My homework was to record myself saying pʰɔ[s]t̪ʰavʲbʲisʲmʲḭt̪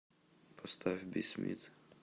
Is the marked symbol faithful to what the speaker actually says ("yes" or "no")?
yes